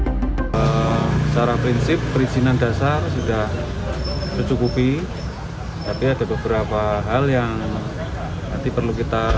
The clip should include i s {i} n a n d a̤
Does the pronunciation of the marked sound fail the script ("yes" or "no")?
no